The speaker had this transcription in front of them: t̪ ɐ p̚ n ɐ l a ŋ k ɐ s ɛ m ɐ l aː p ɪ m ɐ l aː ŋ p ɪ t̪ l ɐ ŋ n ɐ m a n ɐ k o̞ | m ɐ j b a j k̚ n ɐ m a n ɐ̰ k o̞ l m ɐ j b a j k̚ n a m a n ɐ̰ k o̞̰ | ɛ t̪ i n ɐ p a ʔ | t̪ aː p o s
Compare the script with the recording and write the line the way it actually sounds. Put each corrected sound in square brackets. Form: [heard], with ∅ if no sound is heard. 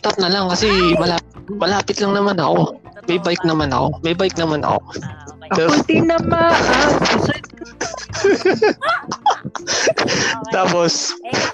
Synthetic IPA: t̪ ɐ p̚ n ɐ l a ŋ k ɐ s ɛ m ɐ l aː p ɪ m ɐ l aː [∅] p ɪ t̪ l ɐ ŋ n ɐ m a n ɐ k o̞ | m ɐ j b a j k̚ n ɐ m a n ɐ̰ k o̞ [∅] m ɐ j b a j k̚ n [ɐ] m a n ɐ̰ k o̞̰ | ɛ t̪ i n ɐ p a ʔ | t̪ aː p o s